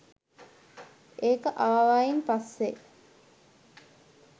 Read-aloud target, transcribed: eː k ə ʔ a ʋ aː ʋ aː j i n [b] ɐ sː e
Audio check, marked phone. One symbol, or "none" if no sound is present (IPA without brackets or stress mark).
p